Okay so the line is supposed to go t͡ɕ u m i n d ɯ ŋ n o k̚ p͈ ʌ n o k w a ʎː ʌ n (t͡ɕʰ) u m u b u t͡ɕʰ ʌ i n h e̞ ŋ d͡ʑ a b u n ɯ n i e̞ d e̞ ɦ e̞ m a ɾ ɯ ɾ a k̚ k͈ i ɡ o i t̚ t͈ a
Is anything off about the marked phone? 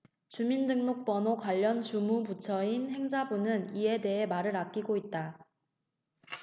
yes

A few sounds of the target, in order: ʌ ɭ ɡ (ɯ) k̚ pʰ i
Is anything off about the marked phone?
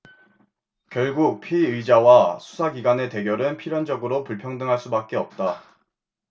yes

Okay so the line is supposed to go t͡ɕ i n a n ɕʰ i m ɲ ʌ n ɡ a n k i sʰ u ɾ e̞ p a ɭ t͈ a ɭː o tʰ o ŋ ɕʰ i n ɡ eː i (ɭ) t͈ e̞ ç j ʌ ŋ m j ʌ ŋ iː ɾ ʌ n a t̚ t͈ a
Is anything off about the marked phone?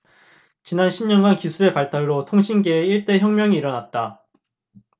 no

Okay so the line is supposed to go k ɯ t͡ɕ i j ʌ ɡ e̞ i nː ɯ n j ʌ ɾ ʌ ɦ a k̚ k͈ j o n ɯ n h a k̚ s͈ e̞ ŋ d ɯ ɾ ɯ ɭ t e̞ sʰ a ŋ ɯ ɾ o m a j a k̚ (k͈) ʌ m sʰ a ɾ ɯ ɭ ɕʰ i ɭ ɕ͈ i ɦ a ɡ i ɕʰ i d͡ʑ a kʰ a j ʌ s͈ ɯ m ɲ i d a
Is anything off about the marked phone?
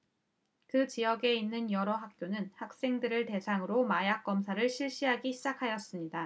no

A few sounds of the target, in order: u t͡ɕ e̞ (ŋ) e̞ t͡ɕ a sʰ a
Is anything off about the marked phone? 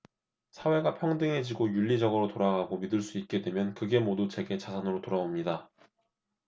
yes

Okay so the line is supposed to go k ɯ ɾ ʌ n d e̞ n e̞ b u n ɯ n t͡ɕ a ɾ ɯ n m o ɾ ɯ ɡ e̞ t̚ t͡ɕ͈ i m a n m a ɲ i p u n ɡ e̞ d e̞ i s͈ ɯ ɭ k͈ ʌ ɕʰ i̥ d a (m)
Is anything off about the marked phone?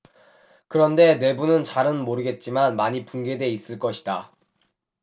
yes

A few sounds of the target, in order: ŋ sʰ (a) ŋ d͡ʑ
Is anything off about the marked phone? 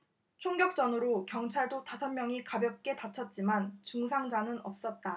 no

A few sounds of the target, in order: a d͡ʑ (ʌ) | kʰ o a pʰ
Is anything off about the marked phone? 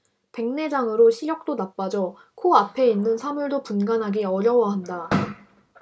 no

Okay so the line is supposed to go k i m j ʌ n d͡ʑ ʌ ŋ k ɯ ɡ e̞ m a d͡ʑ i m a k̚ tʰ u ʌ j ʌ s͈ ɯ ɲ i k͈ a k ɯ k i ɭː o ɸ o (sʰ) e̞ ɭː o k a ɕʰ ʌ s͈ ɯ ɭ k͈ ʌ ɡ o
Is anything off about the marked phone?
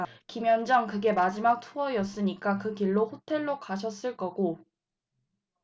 yes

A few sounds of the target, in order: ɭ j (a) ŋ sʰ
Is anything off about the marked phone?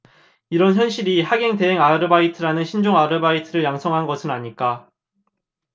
no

